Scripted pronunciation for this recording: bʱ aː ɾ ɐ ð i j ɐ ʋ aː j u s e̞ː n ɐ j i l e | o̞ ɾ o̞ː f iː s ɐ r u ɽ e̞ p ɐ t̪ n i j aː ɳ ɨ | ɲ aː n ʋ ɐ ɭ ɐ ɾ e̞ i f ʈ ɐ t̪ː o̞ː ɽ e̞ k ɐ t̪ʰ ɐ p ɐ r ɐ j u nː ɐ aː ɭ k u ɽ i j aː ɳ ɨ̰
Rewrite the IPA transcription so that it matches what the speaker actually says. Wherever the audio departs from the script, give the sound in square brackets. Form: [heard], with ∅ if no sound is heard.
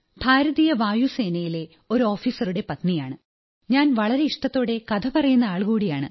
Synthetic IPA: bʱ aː ɾ ɐ ð i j ɐ ʋ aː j u s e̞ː n ɐ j i l e | o̞ ɾ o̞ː f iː s ɐ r u ɽ e̞ p ɐ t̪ n i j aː ɳ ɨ | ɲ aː n ʋ ɐ ɭ ɐ ɾ e̞ i [ʂ] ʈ ɐ t̪ː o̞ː ɽ e̞ k ɐ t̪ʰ ɐ p ɐ r ɐ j u nː ɐ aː ɭ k [uː] ɽ i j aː ɳ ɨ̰